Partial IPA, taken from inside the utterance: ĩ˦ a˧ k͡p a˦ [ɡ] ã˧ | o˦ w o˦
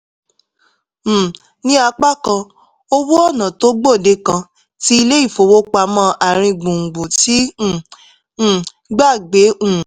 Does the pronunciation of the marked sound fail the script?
yes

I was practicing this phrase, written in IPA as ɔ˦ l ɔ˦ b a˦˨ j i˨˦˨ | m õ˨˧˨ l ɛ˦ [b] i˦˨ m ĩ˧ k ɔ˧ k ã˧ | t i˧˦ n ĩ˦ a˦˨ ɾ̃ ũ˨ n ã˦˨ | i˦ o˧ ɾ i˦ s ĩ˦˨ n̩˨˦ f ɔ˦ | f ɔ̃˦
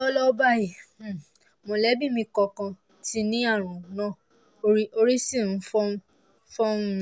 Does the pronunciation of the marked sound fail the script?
no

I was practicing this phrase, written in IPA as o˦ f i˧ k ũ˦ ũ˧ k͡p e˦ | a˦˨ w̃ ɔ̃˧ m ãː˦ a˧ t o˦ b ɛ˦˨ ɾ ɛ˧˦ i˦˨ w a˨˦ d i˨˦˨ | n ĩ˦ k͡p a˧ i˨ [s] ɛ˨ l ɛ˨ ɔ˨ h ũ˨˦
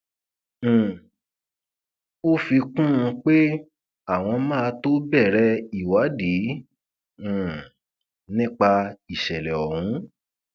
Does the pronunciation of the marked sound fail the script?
yes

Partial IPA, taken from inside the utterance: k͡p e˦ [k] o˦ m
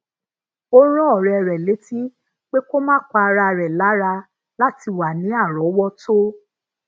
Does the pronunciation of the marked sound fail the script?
no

